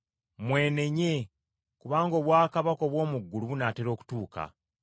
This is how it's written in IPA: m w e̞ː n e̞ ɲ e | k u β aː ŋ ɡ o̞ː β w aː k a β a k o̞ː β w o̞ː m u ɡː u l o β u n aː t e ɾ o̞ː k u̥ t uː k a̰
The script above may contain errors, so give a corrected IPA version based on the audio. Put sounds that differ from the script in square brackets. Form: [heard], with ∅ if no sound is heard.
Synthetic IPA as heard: m w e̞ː n e̞ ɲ e | k u β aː ŋ ɡ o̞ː β w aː k a β a k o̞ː β w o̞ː m u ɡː u l [u] β u n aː t e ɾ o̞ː k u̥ t uː k a̰